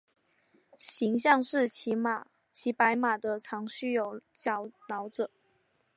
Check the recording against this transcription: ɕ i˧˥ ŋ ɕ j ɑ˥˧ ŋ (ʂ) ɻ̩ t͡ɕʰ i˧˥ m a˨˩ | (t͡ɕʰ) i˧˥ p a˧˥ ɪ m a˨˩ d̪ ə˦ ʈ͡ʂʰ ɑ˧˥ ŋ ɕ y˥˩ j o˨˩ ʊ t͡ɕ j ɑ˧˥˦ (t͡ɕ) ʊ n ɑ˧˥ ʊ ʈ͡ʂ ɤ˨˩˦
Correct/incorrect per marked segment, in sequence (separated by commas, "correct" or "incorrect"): correct, correct, incorrect